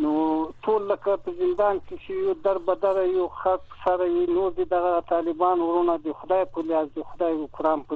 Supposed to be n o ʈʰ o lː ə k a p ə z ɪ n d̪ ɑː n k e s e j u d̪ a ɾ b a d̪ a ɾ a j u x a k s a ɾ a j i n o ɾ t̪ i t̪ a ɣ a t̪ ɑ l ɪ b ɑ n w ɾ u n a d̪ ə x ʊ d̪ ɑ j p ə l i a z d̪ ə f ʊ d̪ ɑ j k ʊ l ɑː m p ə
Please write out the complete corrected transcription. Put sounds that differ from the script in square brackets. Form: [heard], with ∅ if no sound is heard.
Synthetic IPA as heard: n o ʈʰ o lː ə k a p ə z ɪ n d̪ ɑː n k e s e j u d̪ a ɾ b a d̪ a ɾ a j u x a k s a ɾ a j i n o ɾ [d̪] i [d̪] a ɣ a t̪ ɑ l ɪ b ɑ n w ɾ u n a d̪ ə x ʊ d̪ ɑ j p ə l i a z d̪ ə [x] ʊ d̪ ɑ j k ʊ [ɾ] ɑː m p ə